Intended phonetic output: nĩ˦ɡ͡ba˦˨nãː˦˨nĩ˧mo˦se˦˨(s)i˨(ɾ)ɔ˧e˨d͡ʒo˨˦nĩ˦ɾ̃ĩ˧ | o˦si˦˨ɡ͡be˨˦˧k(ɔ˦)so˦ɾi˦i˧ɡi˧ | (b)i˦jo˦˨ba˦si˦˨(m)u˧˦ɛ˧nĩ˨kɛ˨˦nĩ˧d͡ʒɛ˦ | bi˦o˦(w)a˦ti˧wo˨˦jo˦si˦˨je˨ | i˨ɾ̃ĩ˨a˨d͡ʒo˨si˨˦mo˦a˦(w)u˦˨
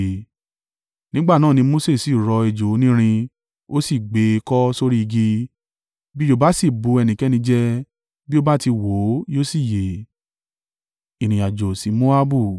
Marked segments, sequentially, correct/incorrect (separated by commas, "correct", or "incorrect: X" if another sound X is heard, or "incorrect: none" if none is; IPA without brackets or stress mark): correct, correct, correct, correct, incorrect: b, incorrect: b, incorrect: b